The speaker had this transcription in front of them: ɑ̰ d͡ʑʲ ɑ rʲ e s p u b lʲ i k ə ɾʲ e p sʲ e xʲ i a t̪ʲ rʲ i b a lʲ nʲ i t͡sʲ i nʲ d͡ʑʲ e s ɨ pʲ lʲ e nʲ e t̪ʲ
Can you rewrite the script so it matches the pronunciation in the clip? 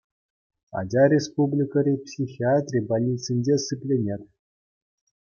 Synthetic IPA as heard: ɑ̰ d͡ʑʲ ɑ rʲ e s p u b lʲ i k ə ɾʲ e p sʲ i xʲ i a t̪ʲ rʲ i b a lʲ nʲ i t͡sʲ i nʲ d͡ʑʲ e s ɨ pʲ lʲ e nʲ e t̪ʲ